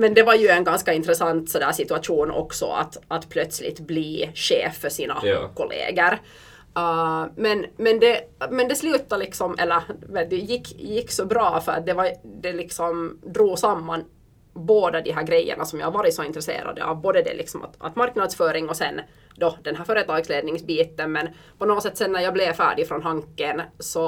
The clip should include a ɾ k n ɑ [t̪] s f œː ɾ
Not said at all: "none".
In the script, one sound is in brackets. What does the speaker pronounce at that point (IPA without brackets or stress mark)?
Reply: d̪